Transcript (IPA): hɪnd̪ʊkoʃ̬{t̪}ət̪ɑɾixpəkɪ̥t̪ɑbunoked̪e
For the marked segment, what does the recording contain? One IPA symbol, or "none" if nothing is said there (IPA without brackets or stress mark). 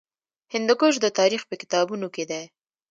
d̪